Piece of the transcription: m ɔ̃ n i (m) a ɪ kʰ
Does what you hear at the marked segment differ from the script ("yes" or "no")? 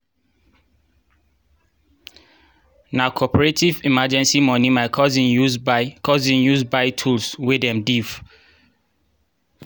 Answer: no